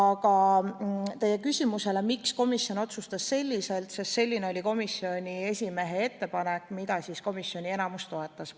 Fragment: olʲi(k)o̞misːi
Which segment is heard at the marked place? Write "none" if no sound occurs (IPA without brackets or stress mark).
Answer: k